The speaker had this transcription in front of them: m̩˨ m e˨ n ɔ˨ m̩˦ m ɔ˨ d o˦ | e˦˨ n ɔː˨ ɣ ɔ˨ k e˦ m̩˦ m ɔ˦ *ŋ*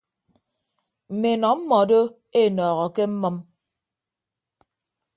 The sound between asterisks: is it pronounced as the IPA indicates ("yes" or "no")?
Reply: no